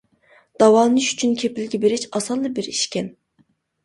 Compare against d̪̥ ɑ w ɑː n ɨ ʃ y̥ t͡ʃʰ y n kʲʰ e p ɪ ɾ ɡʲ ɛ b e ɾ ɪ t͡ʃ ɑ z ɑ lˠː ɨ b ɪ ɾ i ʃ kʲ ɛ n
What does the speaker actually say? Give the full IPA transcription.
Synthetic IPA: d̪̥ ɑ w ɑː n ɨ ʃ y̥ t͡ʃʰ y n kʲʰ e p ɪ l ɡʲ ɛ b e ɾ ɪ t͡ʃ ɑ s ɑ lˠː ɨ b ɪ ɾ i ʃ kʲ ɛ n